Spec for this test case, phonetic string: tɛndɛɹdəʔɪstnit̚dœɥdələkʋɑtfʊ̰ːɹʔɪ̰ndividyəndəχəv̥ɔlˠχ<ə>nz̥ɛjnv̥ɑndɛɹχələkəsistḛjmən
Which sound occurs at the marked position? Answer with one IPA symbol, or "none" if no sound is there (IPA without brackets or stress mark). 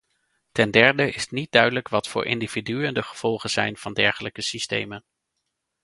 ə